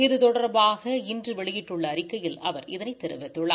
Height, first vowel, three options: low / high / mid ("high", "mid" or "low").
high